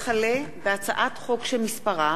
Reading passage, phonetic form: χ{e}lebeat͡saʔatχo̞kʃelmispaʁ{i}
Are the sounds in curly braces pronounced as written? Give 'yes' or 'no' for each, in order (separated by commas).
no, no